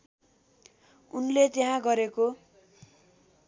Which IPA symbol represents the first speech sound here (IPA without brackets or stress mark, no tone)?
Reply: u